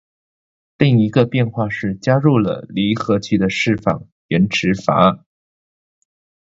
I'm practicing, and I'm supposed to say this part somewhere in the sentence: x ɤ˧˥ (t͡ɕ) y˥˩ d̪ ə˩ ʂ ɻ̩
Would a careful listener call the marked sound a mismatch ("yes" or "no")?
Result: yes